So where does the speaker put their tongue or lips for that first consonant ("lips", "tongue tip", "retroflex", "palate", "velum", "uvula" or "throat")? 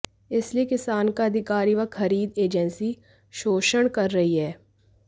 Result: tongue tip